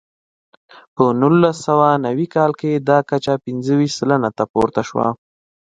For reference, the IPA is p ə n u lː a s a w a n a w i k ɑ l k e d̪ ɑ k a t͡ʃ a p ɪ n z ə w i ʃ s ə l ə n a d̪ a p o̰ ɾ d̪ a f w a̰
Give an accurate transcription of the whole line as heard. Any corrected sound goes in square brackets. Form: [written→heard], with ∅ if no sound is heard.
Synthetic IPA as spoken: p ə n u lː a s a w a n a w i k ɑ l k e d̪ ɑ k a t͡ʃ a p ɪ n z ə w i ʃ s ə l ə n a [d̪→t̪] a p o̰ ɾ [d̪→t̪] a [f→ʃ] w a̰